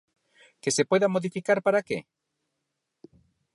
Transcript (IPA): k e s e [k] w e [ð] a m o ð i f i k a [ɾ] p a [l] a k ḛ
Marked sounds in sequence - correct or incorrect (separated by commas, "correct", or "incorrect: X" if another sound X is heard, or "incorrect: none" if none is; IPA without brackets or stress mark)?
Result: incorrect: p, correct, correct, incorrect: ɾ